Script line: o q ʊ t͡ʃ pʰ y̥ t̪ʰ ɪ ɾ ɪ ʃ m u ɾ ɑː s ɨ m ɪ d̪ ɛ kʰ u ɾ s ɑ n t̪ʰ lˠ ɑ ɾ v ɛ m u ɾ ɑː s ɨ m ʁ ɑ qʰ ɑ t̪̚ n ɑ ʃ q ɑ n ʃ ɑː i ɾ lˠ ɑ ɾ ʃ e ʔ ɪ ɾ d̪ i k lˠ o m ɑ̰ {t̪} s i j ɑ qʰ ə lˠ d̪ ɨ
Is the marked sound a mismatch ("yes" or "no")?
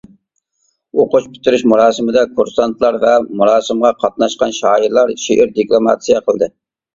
no